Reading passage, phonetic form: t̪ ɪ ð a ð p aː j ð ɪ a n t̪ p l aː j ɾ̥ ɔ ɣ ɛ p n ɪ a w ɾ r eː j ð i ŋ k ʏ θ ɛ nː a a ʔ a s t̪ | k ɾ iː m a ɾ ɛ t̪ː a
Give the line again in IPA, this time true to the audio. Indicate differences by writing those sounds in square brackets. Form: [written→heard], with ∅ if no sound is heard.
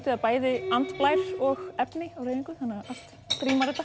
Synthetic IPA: t̪ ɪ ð a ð p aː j ð ɪ a n t̪ p l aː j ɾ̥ ɔ ɣ ɛ p n ɪ a w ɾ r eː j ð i ŋ k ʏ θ [ɛ→a] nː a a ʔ a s t̪ | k ɾ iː m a ɾ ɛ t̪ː a